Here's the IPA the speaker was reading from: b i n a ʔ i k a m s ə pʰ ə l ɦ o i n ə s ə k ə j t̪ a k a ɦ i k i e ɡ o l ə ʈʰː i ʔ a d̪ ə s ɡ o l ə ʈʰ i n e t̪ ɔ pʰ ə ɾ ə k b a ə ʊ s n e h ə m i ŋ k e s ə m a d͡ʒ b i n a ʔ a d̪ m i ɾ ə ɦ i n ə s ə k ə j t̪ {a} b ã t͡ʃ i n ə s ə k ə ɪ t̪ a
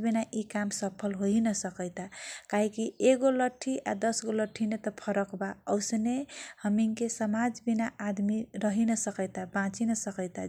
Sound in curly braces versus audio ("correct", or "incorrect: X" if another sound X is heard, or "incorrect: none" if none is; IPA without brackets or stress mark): correct